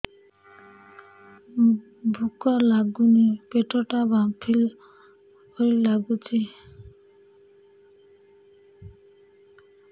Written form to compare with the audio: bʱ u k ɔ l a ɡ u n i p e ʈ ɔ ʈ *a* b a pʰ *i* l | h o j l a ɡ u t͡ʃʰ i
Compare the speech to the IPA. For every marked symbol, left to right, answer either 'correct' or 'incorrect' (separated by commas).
correct, correct